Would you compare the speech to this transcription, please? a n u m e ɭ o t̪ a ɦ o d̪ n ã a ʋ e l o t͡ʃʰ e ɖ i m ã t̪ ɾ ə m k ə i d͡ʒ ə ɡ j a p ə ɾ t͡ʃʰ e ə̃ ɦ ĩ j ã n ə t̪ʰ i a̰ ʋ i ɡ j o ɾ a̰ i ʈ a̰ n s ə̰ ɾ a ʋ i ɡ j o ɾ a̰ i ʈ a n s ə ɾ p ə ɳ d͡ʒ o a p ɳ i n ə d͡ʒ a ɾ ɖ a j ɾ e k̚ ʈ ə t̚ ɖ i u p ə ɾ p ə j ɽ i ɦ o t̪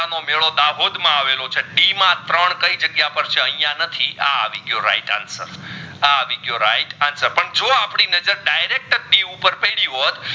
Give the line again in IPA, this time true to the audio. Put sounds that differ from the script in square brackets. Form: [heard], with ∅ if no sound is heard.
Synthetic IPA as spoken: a n [o] m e ɭ o [d̪] a ɦ o d̪ [m] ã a ʋ e l o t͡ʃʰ e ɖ i m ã t̪ ɾ ə [ɳ] k ə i d͡ʒ ə ɡ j a p ə ɾ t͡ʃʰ e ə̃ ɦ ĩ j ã n ə t̪ʰ i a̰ ʋ i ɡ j o ɾ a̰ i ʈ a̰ n s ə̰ ɾ a ʋ i ɡ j o ɾ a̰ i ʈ a n s ə ɾ p ə ɳ d͡ʒ o a p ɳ i n ə d͡ʒ [ə] ɾ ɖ a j ɾ e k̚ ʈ ə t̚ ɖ i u p ə ɾ p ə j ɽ i ɦ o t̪